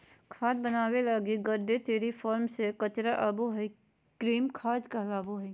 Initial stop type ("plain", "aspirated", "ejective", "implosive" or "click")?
aspirated